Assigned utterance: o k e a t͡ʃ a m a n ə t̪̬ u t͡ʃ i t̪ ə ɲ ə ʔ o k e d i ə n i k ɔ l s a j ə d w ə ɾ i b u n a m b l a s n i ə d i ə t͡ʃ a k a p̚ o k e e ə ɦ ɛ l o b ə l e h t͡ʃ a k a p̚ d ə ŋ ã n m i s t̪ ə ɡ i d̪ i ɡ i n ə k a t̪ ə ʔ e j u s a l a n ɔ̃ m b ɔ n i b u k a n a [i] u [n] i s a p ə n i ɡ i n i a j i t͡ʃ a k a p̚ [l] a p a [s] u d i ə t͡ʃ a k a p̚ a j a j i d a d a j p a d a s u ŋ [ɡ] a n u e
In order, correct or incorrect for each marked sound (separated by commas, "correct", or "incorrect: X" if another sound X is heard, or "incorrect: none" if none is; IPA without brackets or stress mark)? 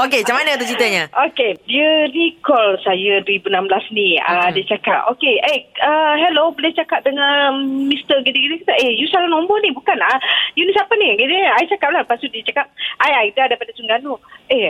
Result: incorrect: j, correct, correct, correct, correct